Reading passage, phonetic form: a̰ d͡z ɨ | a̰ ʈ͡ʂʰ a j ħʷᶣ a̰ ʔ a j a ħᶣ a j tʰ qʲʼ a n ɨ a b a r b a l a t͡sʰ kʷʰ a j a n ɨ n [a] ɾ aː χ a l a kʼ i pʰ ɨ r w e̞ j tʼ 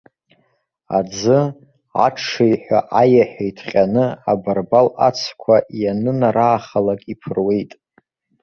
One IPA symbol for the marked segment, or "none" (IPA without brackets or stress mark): a